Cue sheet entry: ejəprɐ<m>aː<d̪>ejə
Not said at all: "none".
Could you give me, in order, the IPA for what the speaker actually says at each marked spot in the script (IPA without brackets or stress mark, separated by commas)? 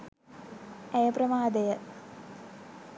m, d̪